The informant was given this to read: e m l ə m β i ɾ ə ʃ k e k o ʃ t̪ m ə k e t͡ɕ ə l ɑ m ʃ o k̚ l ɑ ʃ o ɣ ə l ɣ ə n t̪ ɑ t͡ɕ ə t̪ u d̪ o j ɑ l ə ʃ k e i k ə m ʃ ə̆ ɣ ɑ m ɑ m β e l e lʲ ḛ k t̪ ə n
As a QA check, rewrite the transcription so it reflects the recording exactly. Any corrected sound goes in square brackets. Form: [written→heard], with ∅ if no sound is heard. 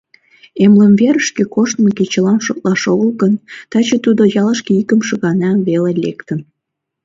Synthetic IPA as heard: e m l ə m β [i→e] ɾ ə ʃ k e k o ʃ t̪ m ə k e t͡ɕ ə l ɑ m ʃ o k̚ l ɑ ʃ o ɣ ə l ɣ ə n t̪ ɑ t͡ɕ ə t̪ u d̪ o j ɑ l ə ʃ k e i k ə m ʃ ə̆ ɣ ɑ [m→n] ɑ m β e l e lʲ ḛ k t̪ ə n